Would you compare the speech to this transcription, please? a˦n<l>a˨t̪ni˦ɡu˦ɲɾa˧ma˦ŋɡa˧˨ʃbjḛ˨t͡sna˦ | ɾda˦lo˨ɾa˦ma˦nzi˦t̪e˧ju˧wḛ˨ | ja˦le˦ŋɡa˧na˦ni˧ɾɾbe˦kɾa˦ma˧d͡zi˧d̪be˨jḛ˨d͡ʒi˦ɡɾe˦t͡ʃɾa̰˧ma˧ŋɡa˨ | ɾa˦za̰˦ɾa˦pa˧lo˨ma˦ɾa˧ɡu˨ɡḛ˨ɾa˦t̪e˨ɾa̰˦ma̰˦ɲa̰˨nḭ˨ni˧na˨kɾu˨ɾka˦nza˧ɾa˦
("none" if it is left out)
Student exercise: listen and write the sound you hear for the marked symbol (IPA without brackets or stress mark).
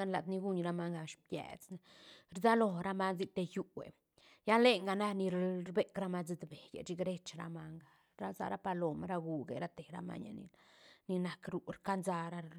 l